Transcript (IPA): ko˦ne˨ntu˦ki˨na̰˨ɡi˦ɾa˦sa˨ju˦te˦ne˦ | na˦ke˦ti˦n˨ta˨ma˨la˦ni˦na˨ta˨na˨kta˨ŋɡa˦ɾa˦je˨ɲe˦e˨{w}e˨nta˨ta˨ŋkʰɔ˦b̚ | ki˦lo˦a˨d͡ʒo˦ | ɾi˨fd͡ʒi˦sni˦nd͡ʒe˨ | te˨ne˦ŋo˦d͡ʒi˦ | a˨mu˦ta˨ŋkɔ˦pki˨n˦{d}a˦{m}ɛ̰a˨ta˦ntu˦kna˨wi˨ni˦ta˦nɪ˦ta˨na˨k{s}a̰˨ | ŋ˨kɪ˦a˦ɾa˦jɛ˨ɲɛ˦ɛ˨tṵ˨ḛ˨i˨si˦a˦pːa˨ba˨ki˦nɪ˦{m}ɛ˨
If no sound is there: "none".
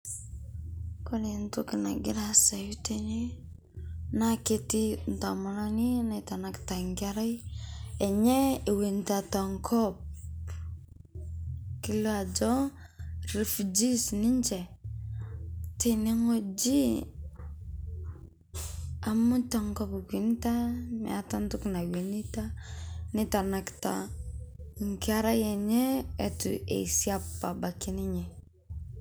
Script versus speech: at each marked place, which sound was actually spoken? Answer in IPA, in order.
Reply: w, t, m, t, ɲ

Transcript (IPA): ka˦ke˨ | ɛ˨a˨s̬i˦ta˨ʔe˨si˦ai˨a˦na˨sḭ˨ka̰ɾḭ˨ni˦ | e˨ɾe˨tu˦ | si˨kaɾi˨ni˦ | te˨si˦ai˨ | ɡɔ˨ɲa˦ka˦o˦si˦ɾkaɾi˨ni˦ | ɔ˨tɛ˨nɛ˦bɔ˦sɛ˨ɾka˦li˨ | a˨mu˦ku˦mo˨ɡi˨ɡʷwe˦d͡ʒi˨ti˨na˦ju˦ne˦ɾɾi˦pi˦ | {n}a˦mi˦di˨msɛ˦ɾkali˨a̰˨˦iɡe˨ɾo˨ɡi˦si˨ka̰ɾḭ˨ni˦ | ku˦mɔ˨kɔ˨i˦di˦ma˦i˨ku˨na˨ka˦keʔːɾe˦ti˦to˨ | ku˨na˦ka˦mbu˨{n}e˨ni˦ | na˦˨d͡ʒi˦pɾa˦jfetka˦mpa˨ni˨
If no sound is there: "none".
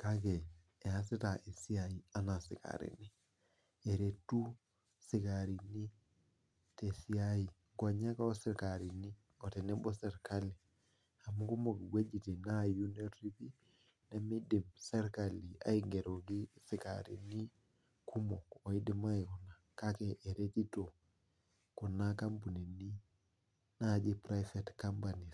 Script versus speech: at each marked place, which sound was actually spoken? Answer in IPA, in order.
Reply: n, n

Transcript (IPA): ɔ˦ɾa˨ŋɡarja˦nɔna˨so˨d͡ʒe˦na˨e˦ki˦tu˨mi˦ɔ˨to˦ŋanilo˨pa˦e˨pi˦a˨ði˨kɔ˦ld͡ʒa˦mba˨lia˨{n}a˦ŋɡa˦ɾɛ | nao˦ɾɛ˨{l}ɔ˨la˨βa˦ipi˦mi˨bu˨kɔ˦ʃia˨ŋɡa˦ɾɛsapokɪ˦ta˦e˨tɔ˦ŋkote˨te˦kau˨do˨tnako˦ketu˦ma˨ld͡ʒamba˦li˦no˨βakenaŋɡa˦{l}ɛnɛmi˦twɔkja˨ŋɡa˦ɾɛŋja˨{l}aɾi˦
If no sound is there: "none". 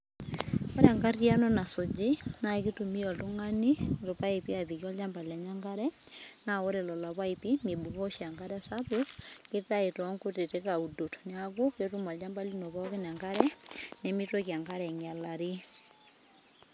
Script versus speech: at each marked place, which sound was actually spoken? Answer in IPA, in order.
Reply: ɲ, l, ɾ, l

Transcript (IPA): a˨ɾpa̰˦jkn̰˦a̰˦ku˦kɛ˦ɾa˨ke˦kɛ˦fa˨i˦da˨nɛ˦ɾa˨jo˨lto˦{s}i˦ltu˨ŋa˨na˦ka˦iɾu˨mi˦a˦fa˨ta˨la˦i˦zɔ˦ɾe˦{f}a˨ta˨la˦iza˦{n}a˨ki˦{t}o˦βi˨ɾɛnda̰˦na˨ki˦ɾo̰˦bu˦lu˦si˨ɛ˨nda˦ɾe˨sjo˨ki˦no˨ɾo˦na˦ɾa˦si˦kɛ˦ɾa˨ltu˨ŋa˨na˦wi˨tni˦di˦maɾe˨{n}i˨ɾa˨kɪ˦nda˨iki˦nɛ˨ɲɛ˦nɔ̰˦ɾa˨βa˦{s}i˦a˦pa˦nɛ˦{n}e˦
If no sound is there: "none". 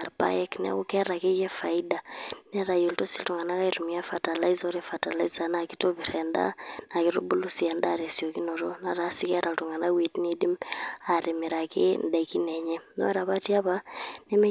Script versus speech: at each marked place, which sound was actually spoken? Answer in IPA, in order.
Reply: s, f, n, t, m, t, m

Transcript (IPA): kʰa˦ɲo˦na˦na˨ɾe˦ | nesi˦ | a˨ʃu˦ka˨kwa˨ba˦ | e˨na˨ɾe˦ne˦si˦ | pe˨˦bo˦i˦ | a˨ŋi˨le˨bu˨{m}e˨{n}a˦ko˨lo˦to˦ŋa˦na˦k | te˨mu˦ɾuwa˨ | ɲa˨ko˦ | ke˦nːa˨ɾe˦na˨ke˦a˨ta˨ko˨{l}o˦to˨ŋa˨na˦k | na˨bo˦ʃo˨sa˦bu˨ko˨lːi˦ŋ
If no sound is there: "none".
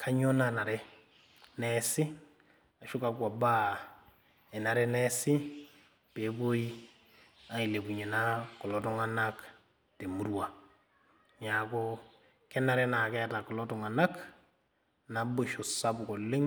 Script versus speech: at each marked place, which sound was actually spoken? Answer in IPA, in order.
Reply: ɲ, n, l

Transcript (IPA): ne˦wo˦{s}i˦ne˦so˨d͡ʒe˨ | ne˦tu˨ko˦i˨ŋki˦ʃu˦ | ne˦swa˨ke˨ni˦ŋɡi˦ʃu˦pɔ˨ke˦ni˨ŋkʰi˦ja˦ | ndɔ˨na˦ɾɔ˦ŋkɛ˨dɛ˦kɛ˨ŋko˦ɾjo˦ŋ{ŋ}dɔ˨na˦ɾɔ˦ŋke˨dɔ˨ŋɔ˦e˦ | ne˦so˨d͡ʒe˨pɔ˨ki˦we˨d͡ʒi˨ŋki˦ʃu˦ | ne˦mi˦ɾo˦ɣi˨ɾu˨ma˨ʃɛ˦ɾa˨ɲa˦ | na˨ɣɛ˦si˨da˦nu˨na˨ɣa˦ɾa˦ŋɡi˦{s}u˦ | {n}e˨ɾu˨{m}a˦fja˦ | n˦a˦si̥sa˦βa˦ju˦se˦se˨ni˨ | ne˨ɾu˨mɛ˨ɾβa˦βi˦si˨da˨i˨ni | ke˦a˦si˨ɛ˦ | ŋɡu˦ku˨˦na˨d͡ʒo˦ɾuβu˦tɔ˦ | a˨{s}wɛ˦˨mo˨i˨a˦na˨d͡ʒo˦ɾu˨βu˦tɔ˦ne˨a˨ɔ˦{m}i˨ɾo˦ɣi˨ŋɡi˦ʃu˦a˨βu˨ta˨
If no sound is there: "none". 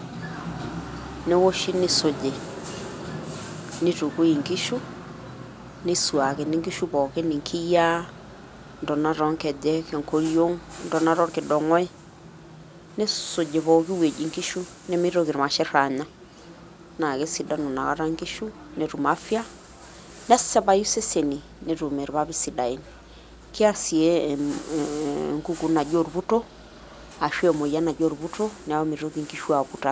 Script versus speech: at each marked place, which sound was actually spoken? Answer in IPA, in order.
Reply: ʃ, n, ʃ, n, m, ʃ, m

